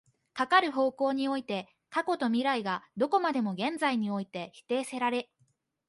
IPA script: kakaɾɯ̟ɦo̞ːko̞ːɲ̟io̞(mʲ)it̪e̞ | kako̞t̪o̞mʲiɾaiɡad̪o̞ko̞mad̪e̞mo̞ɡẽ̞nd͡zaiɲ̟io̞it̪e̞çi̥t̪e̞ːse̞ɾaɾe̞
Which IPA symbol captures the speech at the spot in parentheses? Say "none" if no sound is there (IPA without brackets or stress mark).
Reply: none